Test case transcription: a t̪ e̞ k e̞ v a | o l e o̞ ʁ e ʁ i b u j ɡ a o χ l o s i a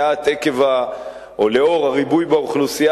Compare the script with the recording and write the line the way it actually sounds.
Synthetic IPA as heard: a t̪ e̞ k e̞ v a | o l e o̞ ʁ a ʁ i b u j b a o χ l u s i a